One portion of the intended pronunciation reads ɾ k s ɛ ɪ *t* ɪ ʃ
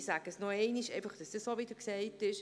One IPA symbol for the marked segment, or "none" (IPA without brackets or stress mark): t